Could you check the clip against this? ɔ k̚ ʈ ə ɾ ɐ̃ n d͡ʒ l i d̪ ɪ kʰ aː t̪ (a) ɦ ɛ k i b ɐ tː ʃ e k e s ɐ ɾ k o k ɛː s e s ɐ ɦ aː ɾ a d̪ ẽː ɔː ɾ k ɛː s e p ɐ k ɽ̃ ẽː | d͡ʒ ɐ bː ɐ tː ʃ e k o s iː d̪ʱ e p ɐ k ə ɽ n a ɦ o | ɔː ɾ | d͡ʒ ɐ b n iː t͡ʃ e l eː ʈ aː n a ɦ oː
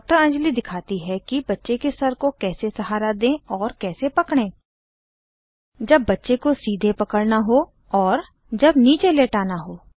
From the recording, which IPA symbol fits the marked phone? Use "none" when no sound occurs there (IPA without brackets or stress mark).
i